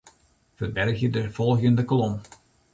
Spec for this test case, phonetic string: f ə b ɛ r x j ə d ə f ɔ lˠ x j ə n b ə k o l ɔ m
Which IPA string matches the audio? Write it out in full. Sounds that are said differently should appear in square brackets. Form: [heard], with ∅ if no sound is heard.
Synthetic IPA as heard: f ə b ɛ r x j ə d ə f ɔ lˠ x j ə n [d] ə k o l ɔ m